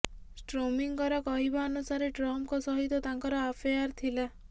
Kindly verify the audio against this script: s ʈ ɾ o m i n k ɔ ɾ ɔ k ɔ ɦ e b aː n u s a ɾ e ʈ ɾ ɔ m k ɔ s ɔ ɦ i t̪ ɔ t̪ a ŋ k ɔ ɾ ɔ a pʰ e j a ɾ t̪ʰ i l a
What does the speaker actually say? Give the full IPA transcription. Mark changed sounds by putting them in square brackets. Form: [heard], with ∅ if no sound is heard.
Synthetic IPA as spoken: s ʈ ɾ o m i [ŋ] k ɔ ɾ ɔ k ɔ ɦ [i] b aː n u s a ɾ e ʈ ɾ ɔ m k ɔ s ɔ ɦ i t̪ ɔ t̪ a ŋ k ɔ ɾ ɔ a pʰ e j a ɾ t̪ʰ i l a

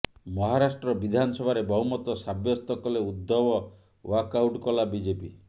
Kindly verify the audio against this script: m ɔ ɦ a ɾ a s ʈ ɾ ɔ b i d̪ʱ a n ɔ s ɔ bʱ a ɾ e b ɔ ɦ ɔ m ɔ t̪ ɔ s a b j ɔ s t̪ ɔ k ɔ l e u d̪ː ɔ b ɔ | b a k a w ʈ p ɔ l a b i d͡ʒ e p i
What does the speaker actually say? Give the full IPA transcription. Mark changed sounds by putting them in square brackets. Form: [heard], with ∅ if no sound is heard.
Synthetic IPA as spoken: m ɔ ɦ a ɾ a s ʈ ɾ ɔ b i d̪ʱ a n ɔ s ɔ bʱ a ɾ e b ɔ ɦ [u] m ɔ t̪ ɔ s a b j ɔ s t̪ ɔ k ɔ l e u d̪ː ɔ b ɔ | [w] a k a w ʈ [k] ɔ l a b i d͡ʒ e p i

